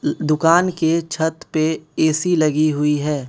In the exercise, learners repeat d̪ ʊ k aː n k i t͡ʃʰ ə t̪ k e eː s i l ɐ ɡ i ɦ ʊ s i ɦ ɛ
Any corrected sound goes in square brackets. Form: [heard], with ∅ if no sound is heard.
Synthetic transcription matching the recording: d̪ ʊ k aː n k [e] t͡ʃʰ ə t̪ [p] e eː s i l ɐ ɡ i ɦ ʊ [∅] i ɦ [ɛː]